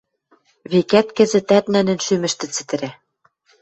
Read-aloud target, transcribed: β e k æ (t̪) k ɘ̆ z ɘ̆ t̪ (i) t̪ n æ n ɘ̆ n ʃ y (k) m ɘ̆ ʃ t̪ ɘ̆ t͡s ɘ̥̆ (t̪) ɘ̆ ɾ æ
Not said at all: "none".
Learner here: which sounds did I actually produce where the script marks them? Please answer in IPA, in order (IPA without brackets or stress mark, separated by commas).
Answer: t̪, æ, none, t̪